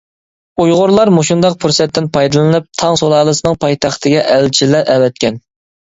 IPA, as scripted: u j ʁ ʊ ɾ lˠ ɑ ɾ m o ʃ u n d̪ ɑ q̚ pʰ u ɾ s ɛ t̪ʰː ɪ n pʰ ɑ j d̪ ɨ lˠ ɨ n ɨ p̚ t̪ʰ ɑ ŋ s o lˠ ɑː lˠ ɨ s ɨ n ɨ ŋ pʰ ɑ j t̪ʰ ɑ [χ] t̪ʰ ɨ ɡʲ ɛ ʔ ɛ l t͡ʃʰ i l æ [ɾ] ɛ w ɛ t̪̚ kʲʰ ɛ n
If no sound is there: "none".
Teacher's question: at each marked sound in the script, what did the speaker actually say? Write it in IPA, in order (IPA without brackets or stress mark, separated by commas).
χ, ɾ